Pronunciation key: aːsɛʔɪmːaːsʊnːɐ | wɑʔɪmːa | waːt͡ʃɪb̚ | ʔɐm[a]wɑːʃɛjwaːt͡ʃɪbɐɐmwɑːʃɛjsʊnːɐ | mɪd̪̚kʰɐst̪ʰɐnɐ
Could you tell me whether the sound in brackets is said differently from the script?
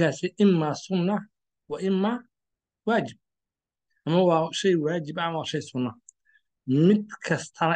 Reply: yes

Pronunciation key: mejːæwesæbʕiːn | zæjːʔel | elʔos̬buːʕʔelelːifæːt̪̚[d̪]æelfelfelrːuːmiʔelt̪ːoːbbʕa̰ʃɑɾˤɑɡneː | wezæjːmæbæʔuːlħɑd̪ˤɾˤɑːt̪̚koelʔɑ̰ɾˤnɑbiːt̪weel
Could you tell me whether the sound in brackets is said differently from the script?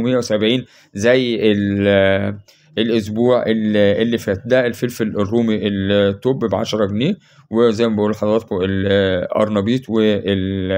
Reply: no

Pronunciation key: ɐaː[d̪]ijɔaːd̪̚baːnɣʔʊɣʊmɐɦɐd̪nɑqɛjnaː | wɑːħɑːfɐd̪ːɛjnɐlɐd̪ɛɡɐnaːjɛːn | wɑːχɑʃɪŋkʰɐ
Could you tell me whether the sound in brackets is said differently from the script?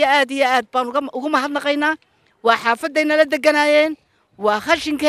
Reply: no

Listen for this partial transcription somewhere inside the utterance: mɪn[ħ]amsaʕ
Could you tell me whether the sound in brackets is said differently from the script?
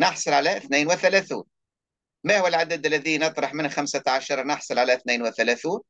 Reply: yes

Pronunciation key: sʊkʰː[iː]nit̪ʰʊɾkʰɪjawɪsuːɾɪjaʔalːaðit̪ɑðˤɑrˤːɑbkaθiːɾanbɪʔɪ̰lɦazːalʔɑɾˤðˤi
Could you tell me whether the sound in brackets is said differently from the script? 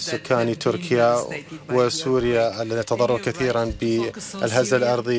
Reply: yes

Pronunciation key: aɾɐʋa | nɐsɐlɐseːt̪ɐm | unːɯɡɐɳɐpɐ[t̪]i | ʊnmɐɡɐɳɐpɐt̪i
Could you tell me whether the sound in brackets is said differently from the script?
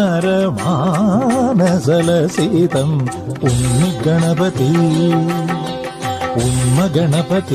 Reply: no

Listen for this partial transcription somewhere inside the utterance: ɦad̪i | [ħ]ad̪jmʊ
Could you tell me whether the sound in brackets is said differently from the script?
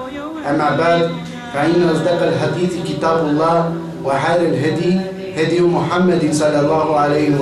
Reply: yes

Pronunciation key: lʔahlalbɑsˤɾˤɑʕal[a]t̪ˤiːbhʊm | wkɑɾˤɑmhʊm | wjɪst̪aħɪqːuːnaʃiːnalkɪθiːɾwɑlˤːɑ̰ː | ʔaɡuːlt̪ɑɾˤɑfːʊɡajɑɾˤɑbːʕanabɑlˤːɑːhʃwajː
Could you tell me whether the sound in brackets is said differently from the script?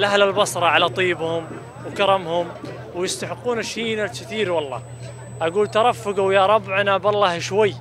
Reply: no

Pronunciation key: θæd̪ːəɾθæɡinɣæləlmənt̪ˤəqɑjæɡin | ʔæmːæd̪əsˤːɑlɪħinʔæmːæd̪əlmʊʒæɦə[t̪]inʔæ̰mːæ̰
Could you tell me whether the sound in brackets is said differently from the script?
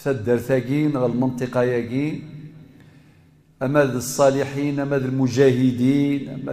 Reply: yes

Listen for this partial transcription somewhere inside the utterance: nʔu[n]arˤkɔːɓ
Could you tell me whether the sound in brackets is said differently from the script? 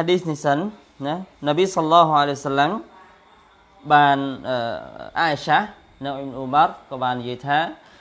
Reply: yes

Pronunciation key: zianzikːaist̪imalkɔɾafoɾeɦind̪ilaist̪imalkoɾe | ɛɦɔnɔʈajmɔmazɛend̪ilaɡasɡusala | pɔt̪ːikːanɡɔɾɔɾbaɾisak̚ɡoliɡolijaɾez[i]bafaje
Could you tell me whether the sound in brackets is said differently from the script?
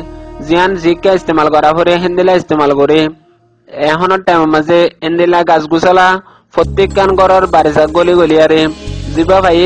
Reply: no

